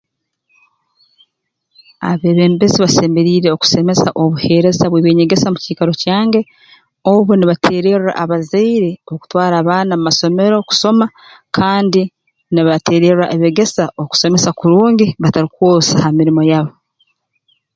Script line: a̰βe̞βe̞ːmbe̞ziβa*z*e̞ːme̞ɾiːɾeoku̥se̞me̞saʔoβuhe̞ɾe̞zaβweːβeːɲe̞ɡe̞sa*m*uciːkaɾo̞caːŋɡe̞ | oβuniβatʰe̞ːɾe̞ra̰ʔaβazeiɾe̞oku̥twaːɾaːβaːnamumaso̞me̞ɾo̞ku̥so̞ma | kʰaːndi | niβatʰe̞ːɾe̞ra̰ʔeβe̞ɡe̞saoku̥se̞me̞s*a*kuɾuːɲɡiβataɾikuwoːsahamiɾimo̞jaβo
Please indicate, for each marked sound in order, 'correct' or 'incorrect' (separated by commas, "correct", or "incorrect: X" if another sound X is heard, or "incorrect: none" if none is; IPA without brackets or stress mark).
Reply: incorrect: s, correct, correct